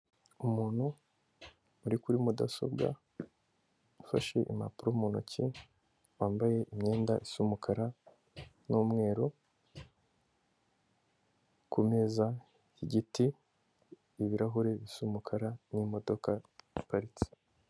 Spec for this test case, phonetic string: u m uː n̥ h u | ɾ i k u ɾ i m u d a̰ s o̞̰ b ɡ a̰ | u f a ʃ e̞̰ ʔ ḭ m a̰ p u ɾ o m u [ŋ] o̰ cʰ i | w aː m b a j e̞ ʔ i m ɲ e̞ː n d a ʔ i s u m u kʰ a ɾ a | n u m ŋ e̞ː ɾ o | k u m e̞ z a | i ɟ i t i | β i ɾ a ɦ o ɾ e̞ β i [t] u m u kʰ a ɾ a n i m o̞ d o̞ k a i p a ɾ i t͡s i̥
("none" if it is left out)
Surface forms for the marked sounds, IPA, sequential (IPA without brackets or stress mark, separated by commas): n, s